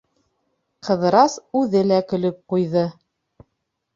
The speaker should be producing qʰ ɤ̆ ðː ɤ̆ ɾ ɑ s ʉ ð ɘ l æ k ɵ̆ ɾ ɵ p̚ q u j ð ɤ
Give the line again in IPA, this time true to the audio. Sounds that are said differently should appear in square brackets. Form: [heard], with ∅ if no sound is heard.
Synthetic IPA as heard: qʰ ɤ̆ [ð] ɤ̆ ɾ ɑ s ʉ ð ɘ l æ k ɵ̆ [l] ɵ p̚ q u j ð ɤ